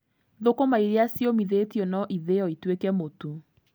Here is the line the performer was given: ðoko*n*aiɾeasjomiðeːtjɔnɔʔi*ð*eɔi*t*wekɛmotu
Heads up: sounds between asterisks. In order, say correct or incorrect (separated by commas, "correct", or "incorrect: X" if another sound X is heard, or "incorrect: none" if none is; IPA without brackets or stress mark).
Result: incorrect: m, correct, correct